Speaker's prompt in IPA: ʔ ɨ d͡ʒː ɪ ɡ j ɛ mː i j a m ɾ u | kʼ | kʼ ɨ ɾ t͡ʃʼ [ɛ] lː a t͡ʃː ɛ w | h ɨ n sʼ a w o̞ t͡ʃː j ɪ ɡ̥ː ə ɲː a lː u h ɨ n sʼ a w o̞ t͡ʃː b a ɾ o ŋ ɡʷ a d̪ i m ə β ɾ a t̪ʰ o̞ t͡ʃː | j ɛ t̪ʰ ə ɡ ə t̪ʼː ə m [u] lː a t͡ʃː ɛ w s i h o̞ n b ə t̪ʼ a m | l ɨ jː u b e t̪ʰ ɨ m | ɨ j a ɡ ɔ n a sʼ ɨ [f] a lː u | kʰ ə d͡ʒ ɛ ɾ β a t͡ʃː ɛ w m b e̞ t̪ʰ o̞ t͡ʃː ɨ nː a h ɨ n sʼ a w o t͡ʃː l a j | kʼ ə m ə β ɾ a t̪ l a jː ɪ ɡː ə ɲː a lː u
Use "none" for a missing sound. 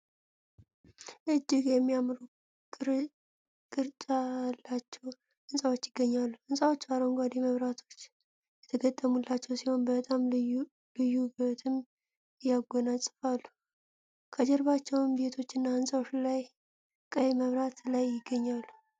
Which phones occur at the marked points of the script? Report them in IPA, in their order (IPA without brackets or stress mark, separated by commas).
a, u, f